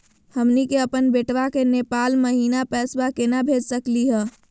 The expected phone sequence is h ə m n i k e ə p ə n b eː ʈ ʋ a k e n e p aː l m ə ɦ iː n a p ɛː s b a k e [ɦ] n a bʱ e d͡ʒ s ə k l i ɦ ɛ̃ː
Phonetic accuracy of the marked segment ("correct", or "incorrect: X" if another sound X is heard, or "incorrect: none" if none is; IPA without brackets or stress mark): incorrect: none